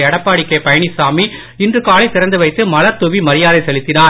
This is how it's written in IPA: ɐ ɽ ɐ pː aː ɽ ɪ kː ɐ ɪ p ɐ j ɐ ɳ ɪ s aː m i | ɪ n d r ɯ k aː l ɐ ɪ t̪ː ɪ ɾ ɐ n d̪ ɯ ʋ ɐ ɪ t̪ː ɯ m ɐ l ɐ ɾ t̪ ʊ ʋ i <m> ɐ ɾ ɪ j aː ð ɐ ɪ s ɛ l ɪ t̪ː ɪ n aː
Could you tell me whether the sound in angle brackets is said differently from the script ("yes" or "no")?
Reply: no